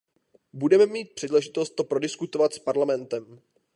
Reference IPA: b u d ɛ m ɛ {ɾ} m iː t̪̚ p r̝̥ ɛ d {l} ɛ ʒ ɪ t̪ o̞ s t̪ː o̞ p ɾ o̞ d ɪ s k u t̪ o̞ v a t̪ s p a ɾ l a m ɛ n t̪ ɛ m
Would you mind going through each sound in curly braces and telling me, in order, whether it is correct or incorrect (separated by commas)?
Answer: incorrect, correct